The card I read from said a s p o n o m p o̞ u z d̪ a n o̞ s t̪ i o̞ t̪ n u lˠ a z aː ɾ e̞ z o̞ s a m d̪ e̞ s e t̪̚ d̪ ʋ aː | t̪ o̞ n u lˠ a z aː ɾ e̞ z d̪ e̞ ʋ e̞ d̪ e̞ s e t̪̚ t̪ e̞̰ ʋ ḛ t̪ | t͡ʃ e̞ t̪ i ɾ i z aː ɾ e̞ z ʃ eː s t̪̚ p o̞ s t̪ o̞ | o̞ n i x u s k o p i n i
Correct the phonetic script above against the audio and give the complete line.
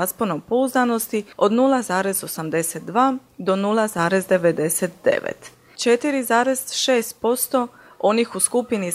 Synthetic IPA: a s p o n o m p o̞ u z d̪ a n o̞ s t̪ i o̞ d̪ n u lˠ a z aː ɾ e̞ z o̞ s a m d̪ e̞ s e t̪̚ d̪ ʋ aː | d̪ o̞ n u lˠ a z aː ɾ e̞ z d̪ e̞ ʋ e̞ d̪ e̞ s e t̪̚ d̪ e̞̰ ʋ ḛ t̪ | t͡ʃ e̞ t̪ i ɾ i z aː ɾ e̞ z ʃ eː s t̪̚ p o̞ s t̪ o̞ | o̞ n i x u s k u p i n i